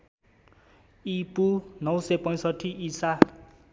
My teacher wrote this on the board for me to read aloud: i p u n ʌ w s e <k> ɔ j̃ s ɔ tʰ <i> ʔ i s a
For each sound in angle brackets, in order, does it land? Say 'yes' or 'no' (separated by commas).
no, yes